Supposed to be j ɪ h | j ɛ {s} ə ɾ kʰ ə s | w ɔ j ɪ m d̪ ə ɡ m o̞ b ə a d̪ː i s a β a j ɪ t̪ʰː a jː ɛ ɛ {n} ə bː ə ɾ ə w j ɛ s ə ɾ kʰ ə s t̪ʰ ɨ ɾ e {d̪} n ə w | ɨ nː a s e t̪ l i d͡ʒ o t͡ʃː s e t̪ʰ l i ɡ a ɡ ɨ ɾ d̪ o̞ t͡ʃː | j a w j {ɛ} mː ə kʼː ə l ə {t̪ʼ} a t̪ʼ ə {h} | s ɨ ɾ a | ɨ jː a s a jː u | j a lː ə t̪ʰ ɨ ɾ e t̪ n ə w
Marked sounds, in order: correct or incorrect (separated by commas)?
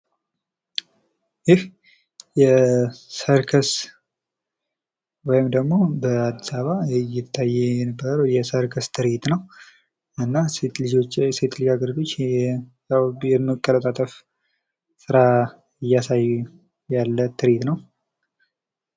correct, correct, incorrect, correct, correct, incorrect